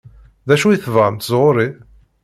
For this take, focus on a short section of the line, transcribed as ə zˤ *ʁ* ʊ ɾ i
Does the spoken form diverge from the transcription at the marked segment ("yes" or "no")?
no